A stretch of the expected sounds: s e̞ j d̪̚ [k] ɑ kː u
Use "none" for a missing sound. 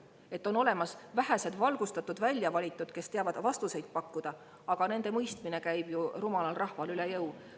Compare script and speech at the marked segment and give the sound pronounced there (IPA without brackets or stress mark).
p